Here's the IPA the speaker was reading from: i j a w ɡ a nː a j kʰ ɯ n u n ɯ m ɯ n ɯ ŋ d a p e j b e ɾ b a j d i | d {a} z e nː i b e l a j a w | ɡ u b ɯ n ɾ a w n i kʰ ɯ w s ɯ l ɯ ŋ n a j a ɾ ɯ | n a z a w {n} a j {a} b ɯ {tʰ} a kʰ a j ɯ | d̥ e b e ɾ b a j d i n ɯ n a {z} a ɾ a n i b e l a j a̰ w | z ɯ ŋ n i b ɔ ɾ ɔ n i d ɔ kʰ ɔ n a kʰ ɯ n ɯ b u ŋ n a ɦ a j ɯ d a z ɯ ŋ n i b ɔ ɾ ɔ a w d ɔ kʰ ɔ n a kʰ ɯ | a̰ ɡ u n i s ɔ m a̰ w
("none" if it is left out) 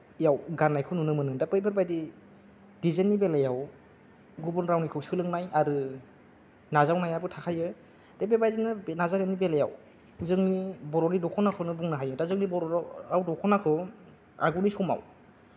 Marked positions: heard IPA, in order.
i, n, a, tʰ, z

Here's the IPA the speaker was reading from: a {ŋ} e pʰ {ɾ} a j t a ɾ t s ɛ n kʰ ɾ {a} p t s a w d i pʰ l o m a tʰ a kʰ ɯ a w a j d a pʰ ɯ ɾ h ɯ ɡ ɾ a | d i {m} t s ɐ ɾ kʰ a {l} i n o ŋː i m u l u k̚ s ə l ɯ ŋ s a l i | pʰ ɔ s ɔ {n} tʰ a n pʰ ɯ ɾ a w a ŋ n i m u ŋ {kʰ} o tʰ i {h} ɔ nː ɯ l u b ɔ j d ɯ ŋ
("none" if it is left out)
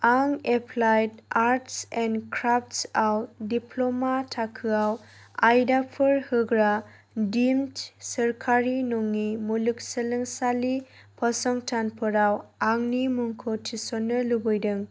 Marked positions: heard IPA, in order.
ŋ, l, a, m, ɾ, ŋ, kʰ, s

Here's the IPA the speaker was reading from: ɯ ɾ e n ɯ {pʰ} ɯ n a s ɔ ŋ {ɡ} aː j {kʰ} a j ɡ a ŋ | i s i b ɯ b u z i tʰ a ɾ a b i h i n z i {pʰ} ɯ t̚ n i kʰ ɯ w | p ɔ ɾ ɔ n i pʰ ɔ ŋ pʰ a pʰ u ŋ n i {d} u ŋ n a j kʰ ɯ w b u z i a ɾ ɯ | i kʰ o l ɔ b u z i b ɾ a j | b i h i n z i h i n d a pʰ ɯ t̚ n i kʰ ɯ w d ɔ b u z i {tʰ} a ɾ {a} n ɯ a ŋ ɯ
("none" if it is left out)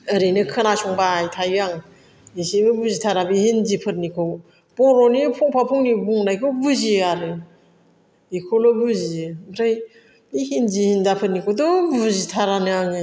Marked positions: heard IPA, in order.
kʰ, b, tʰ, pʰ, b, tʰ, a

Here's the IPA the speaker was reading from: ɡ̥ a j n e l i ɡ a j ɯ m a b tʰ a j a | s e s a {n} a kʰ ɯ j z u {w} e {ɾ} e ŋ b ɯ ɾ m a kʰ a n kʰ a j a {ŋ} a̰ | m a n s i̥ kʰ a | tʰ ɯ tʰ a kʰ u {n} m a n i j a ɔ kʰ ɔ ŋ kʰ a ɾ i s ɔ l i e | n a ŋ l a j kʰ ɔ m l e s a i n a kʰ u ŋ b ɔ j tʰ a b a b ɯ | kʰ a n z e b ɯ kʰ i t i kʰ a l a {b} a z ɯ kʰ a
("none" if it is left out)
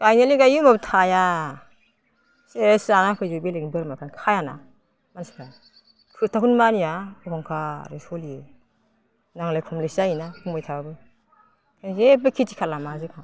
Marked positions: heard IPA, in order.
n, b, l, n, n, m

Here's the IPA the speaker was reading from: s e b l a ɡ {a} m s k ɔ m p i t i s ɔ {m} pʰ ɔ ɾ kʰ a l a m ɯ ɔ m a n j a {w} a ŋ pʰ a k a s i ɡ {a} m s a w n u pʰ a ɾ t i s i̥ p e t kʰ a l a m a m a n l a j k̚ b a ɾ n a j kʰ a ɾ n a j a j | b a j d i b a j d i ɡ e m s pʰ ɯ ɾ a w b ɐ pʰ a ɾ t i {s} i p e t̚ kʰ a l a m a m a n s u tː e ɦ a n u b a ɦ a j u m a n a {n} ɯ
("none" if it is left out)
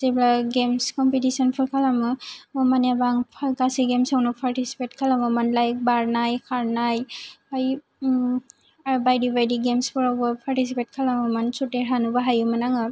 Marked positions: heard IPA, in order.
e, n, b, e, s, ŋ

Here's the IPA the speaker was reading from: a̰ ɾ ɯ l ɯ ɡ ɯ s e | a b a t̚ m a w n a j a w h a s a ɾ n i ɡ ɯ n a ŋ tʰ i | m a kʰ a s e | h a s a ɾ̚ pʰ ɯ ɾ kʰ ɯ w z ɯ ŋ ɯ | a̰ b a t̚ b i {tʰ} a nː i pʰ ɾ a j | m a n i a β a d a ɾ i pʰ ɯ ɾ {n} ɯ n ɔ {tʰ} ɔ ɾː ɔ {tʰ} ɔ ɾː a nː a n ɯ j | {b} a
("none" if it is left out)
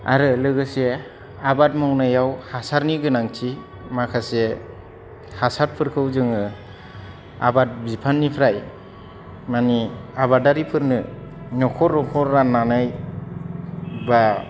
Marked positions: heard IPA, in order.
pʰ, n, kʰ, kʰ, b

